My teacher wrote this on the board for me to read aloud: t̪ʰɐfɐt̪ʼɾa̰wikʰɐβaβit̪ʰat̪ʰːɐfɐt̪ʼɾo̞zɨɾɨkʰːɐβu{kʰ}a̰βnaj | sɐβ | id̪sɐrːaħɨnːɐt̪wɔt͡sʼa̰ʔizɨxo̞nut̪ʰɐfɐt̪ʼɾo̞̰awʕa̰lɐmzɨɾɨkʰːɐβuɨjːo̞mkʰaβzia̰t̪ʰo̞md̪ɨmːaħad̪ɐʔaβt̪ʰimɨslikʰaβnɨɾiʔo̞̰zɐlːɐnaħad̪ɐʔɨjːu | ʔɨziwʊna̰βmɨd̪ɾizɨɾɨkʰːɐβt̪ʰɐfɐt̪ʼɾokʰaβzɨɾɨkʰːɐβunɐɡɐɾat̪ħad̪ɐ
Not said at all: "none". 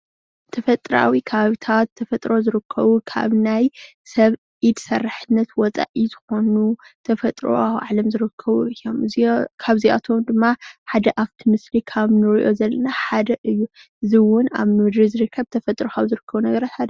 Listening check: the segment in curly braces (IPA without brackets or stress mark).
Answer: kʰ